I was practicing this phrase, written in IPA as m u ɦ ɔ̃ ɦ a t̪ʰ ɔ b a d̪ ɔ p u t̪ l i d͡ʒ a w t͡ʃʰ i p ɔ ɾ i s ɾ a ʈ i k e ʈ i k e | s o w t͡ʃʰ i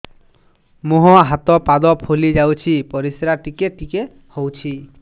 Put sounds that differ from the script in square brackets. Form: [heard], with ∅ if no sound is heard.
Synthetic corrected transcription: m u ɦ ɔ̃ ɦ a [t̪] ɔ [p] a d̪ ɔ [pʰ] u [∅] l i d͡ʒ a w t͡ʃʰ i p ɔ ɾ i s ɾ a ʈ i k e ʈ i k e | [h] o w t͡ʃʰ i